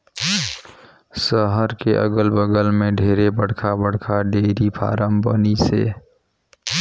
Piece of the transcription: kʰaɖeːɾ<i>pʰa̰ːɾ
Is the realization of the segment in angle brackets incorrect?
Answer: no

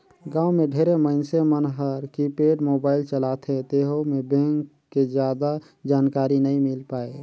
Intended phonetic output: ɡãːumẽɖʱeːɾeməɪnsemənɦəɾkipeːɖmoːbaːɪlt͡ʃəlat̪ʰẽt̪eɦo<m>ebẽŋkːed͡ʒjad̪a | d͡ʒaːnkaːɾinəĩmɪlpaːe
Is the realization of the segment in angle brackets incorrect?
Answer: no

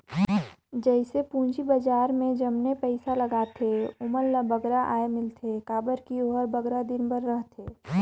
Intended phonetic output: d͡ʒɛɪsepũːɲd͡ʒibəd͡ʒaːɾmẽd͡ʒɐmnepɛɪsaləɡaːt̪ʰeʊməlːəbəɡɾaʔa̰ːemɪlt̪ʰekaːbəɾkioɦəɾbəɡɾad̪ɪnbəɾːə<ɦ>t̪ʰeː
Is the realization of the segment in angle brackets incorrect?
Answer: no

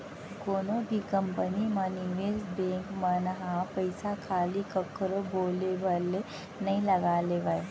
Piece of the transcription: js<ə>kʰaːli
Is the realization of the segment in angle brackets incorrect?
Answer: yes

